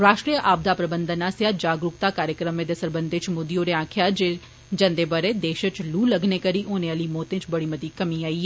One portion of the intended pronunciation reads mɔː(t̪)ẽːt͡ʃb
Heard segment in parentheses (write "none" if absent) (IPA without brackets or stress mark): t̪